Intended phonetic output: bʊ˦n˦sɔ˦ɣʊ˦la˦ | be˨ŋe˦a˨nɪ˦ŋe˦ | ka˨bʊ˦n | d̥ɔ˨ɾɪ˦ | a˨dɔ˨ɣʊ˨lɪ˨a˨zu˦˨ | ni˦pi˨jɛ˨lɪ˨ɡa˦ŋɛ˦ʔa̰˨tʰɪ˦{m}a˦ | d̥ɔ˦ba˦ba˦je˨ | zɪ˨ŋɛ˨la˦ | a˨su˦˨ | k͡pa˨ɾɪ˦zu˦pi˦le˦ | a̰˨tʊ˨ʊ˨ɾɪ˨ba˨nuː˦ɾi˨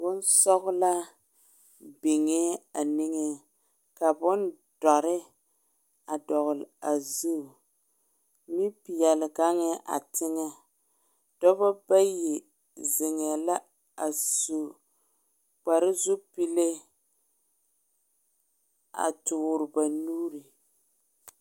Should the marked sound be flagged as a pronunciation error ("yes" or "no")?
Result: yes